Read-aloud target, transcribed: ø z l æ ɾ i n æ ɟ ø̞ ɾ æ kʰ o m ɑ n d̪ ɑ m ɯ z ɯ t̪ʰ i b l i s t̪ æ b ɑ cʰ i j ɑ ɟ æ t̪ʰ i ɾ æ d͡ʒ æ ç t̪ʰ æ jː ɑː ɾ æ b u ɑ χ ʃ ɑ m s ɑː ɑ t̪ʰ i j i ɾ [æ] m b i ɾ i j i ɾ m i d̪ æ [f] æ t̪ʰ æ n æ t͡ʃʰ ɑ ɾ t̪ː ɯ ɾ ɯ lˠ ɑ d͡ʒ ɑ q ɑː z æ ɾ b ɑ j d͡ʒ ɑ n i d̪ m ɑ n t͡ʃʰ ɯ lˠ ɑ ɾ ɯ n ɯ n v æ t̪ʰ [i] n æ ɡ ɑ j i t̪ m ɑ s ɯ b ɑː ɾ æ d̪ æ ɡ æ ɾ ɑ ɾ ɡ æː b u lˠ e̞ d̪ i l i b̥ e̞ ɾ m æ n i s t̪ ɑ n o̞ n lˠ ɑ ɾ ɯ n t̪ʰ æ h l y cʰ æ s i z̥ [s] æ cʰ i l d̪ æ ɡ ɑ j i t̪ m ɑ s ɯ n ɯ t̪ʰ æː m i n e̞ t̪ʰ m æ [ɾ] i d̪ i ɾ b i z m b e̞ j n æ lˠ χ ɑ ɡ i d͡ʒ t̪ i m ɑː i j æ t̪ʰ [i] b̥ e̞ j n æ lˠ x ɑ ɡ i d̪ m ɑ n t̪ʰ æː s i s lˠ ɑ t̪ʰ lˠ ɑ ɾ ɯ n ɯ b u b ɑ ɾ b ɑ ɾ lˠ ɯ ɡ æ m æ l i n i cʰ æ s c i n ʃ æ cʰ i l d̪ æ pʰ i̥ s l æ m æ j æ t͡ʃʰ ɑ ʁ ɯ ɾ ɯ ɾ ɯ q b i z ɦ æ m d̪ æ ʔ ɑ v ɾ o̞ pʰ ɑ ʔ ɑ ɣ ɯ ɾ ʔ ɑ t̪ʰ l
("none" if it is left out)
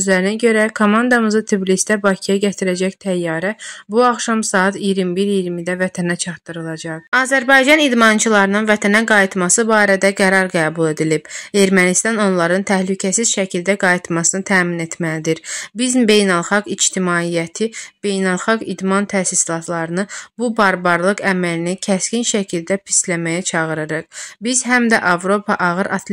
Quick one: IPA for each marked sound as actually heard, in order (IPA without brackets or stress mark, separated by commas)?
i, v, æ, ʃ, l, i